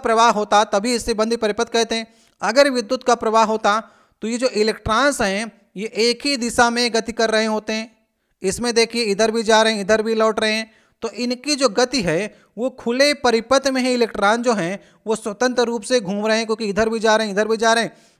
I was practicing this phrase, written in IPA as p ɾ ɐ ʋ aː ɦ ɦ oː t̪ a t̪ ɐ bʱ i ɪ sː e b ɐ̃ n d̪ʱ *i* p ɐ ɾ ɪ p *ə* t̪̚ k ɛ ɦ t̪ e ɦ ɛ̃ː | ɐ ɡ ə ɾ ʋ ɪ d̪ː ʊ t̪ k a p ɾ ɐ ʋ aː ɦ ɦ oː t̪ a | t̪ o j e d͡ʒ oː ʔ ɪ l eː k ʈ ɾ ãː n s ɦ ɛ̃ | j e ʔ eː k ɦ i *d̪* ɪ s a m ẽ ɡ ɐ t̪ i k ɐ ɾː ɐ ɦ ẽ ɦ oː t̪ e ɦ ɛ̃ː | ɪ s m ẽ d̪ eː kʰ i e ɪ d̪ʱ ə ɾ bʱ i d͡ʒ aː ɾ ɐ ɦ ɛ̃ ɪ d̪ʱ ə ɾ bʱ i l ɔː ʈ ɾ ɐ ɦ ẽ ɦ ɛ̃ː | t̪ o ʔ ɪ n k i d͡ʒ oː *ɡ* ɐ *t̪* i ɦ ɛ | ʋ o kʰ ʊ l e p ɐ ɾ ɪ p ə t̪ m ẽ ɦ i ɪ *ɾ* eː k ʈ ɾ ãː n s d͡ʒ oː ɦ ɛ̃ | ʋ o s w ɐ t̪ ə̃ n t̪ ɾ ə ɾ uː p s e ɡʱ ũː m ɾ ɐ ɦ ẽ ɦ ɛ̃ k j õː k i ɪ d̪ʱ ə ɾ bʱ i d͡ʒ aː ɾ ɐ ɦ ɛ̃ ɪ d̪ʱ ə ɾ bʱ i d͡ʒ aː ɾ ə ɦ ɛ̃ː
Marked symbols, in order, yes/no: yes, yes, yes, yes, yes, no

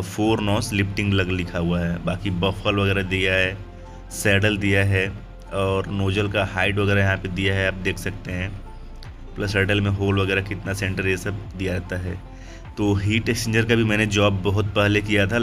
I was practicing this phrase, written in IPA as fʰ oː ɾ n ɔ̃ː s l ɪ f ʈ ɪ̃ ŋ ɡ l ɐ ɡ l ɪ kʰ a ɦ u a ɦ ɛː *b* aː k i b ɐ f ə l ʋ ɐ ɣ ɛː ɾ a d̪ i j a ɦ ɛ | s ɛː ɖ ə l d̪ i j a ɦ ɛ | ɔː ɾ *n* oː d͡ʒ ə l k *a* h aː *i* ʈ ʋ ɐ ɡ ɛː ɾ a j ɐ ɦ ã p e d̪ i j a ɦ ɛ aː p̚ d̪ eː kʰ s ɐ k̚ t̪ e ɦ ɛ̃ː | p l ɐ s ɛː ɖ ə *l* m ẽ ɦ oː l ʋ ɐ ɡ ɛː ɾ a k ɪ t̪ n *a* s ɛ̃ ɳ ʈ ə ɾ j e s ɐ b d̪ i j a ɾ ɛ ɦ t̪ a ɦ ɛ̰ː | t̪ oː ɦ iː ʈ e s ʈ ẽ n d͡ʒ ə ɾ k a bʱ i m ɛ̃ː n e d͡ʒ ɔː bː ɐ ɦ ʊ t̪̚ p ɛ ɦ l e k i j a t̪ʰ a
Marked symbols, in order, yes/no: yes, yes, yes, no, yes, yes

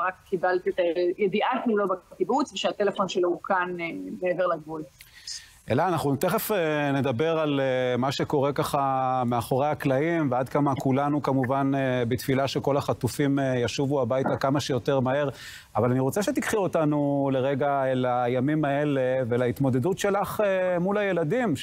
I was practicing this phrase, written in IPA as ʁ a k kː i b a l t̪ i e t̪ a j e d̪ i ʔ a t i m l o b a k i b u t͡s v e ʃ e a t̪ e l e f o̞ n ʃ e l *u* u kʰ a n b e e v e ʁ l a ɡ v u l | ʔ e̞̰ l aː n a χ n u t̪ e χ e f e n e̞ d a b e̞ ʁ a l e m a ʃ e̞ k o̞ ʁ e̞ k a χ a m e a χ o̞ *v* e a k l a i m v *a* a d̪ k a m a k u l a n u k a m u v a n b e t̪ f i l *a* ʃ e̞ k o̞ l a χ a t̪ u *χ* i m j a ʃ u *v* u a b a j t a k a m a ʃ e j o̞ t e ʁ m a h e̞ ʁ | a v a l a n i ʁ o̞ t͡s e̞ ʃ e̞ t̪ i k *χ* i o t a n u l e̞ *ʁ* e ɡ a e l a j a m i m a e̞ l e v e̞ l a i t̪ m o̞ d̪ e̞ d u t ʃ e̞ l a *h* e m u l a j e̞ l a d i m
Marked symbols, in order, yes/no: no, no, no, yes, no, yes, yes, yes, no

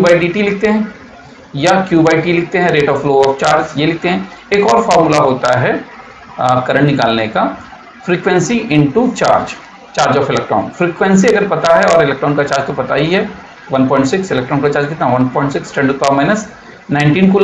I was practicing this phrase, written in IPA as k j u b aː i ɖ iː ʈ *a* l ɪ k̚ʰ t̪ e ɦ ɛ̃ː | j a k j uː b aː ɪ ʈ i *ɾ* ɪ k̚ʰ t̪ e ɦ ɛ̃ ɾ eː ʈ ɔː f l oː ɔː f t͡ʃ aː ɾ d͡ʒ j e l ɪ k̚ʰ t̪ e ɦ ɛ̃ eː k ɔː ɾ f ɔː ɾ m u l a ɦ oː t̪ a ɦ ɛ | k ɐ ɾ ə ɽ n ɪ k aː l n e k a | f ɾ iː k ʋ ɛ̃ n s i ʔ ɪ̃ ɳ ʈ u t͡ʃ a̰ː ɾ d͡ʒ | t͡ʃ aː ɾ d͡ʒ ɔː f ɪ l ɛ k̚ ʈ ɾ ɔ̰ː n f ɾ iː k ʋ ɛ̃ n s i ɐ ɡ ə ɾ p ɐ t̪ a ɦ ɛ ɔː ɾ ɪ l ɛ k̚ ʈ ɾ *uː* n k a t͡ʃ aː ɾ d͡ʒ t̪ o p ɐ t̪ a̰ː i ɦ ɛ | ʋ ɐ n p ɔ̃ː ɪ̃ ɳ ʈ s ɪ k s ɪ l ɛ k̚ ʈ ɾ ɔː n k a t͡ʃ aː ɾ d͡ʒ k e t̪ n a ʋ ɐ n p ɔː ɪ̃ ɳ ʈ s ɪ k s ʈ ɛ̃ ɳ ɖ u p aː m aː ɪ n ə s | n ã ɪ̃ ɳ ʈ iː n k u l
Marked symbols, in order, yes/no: no, no, no

